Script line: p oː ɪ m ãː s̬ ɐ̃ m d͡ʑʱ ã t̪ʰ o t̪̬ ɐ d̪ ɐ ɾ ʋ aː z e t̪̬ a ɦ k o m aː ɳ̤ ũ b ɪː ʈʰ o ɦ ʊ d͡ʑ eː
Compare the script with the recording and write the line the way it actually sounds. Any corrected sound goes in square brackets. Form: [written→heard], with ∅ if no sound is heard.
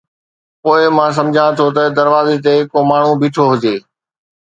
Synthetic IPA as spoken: p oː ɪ m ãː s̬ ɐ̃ m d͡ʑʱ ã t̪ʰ o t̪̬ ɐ d̪ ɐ ɾ ʋ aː z e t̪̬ [a→e] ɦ k o m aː ɳ̤ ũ b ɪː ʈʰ o ɦ ʊ d͡ʑ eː